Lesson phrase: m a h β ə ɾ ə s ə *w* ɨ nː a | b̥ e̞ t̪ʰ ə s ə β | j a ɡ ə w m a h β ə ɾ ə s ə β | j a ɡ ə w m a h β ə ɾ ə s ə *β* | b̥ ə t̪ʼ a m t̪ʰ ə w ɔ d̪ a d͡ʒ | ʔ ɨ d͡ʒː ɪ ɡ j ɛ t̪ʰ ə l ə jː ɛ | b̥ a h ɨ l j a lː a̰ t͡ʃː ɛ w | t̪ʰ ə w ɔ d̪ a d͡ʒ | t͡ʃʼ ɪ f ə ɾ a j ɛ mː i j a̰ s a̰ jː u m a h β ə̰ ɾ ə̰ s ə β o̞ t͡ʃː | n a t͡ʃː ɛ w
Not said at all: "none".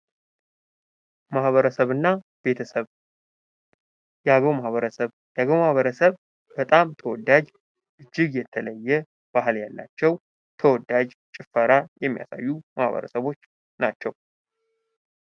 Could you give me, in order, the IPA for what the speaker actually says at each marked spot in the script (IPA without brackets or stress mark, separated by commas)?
β, β